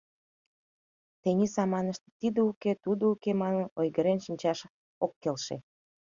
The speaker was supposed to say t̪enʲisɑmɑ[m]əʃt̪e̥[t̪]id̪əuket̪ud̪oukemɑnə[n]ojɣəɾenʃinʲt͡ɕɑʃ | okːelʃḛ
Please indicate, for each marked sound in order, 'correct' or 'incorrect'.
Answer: incorrect: n, correct, correct

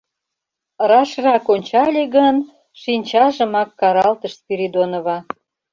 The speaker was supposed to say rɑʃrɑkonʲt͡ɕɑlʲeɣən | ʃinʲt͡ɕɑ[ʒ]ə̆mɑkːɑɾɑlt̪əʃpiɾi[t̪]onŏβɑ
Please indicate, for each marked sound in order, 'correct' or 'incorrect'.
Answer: correct, incorrect: d̪

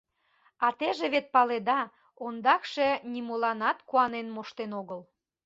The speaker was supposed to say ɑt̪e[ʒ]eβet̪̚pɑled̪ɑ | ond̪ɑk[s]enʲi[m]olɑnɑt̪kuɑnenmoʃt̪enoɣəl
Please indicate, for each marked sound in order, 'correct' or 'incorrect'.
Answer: correct, incorrect: ʃ, correct

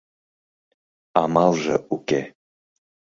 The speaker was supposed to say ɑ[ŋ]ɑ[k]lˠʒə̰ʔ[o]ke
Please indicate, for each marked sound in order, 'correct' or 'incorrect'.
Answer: incorrect: m, incorrect: none, incorrect: u

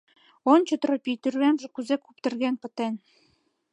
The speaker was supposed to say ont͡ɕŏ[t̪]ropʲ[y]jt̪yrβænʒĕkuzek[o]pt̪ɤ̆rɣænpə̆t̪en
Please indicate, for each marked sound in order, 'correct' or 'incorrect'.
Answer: correct, incorrect: i, incorrect: u

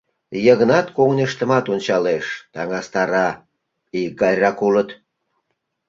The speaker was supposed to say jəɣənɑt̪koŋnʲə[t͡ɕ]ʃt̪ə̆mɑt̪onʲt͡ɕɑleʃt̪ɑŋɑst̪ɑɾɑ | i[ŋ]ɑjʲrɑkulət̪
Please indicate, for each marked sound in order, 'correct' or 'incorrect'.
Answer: incorrect: none, incorrect: ɡ

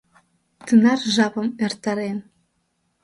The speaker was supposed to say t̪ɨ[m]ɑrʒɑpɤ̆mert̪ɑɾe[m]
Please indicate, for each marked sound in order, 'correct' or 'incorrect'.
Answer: incorrect: n, incorrect: n

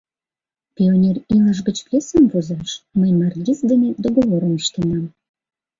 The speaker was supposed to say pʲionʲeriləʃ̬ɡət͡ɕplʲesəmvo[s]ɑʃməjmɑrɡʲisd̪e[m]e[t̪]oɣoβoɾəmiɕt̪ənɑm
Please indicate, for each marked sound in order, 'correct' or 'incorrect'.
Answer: incorrect: z, incorrect: n, incorrect: d̪

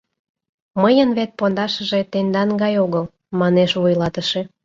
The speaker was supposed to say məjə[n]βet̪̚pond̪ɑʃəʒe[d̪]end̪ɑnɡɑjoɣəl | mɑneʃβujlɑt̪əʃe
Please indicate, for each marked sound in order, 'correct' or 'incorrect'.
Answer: correct, incorrect: t̪

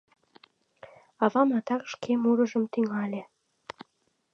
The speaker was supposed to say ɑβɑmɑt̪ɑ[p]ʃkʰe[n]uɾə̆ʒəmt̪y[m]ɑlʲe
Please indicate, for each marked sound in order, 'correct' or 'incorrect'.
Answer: incorrect: k, incorrect: m, incorrect: ŋ

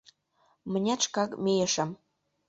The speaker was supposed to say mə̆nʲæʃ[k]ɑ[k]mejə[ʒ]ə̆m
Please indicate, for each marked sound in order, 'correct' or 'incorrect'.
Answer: correct, correct, incorrect: ʃ

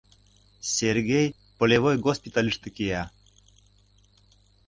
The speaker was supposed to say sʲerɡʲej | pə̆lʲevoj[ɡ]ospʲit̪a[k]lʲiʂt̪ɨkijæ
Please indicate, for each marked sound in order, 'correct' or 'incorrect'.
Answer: correct, incorrect: none

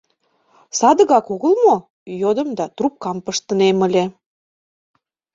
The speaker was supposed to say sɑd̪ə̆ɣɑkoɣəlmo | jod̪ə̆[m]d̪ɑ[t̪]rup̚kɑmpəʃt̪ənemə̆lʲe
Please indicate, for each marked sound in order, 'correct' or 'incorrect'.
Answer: correct, correct

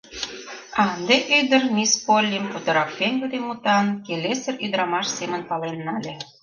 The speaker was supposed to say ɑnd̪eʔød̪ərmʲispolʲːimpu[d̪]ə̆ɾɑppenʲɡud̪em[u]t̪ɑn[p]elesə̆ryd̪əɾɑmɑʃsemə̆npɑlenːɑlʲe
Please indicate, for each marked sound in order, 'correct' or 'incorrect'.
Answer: incorrect: t̪, correct, incorrect: k

